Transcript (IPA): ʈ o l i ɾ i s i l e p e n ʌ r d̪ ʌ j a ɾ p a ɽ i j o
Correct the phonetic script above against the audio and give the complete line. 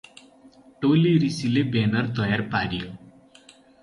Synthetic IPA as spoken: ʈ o l i ɾ i s i l e b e n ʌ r t̪ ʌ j a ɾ p a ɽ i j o